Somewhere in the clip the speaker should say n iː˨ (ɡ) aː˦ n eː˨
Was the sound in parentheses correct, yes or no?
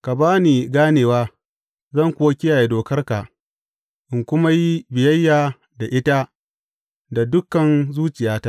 yes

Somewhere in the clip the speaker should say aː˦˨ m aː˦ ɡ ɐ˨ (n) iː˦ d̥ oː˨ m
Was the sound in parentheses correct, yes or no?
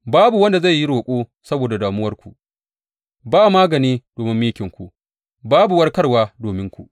yes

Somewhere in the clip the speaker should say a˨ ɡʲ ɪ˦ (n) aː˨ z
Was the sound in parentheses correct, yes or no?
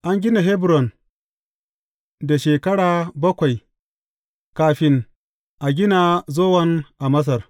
yes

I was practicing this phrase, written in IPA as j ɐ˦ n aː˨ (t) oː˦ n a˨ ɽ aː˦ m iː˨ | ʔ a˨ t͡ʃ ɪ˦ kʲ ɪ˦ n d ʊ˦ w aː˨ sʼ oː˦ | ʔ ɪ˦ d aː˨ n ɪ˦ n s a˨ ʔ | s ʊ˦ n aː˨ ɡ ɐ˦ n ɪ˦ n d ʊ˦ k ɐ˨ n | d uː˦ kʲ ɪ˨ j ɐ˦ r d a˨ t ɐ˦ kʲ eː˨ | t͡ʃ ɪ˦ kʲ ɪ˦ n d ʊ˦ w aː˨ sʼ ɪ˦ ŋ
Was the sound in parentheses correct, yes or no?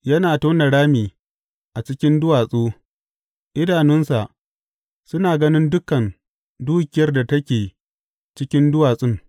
yes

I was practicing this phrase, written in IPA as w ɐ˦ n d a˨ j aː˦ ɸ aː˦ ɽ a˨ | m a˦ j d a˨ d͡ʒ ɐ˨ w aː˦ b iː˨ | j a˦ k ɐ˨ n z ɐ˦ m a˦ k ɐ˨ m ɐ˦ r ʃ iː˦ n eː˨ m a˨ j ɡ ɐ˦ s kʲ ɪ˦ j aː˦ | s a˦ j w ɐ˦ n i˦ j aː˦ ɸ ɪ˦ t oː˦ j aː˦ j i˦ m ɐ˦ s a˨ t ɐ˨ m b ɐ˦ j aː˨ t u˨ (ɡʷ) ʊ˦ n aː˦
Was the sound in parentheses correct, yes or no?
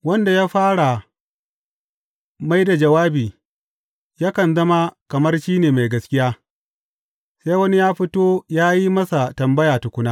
no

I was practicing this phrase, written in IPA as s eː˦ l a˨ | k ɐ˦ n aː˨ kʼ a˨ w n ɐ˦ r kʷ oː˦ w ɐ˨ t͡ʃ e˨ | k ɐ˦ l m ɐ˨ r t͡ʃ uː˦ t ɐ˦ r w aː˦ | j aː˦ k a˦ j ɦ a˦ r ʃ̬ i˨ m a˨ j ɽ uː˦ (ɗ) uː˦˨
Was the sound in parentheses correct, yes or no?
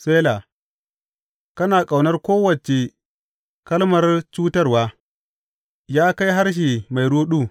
yes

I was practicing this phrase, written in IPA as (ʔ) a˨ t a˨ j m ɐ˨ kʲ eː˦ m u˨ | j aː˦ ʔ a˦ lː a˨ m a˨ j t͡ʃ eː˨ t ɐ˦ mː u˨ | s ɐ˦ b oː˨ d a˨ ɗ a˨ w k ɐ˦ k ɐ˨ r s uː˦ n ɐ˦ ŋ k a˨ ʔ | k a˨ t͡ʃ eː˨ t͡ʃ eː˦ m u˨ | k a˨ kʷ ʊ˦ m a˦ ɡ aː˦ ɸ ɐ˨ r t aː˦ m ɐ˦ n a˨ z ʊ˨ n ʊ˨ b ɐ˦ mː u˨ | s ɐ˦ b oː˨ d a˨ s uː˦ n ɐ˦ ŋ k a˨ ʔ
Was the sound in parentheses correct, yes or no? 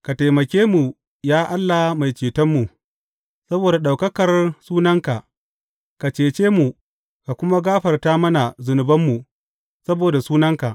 no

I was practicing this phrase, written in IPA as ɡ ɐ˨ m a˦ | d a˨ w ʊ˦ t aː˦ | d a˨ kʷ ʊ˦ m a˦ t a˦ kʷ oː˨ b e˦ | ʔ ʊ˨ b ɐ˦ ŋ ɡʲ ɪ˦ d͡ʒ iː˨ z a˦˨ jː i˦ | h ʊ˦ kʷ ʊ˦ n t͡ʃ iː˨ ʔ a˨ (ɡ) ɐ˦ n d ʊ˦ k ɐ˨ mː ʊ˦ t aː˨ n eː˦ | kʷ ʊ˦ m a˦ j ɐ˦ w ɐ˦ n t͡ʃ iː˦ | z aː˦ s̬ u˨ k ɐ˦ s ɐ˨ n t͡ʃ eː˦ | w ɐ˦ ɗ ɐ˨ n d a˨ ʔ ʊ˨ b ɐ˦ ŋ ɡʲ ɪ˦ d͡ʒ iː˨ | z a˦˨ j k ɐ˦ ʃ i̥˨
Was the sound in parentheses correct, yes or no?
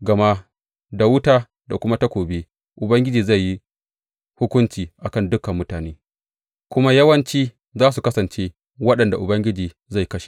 no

